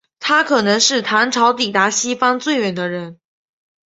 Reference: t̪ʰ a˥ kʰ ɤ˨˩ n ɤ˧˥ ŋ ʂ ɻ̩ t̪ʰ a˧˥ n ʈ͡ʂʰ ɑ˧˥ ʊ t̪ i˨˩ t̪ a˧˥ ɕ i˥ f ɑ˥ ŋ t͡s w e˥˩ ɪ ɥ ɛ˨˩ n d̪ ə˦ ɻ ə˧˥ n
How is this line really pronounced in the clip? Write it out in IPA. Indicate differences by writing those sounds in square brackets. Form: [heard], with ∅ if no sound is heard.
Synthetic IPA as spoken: t̪ʰ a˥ kʰ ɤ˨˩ n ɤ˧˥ ŋ ʂ ɻ̩ t̪ʰ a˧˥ n ʈ͡ʂʰ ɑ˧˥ ʊ t̪ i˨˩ t̪ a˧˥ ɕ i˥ f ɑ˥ ŋ t͡s w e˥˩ ɪ ɥ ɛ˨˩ n d̪ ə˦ ɻ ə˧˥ n